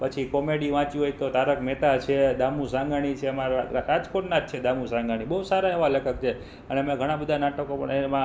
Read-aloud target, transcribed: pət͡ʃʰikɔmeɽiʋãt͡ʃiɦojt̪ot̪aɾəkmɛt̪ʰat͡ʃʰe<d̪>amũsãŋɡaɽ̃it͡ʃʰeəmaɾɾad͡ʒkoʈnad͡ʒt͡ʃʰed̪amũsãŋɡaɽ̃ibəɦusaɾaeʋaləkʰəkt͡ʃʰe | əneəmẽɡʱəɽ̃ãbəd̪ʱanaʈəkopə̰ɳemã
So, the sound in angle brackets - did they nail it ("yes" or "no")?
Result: yes